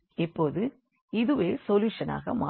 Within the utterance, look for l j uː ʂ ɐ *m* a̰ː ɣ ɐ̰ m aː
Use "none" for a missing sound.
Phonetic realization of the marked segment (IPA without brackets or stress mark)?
n